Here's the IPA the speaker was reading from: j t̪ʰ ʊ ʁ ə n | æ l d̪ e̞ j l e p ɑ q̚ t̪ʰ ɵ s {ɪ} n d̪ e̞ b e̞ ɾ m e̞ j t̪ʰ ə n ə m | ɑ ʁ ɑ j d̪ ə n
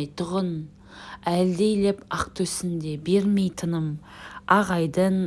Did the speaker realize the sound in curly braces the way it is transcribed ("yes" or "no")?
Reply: yes